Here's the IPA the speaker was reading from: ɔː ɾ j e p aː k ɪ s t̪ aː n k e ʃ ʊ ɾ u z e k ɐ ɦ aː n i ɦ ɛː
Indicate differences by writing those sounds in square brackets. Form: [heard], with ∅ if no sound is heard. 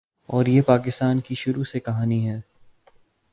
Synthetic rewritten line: ɔː ɾ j e p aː k ɪ s t̪ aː n k [i] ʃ ʊ ɾ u [s] e k ɐ ɦ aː n i ɦ ɛː